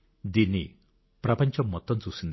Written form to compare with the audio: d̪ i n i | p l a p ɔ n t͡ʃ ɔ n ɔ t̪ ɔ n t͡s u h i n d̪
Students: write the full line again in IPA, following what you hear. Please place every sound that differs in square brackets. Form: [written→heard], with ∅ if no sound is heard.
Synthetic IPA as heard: d̪ i n i | p [l→ɾ] a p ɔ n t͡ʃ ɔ [n→m] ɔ t̪ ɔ n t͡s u [h→s] i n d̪